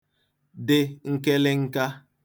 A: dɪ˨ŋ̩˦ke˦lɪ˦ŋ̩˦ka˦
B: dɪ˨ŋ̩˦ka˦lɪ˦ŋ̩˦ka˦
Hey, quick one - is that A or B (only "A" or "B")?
A